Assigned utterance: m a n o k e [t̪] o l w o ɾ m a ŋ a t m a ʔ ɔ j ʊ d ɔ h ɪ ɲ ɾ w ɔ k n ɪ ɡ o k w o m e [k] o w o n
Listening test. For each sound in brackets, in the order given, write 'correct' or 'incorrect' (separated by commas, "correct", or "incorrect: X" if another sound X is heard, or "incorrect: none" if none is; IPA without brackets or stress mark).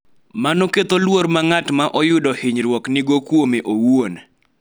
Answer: correct, incorrect: ʔ